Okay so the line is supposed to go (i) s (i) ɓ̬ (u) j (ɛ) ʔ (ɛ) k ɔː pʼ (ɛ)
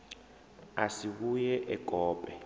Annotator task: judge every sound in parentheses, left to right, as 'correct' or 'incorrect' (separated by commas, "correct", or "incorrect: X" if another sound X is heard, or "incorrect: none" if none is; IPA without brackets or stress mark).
incorrect: a, correct, correct, correct, correct, correct